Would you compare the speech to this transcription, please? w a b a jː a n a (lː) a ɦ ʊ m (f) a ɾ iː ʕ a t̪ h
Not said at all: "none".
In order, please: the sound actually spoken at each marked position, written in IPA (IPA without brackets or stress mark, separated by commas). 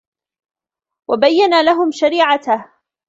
l, ʃ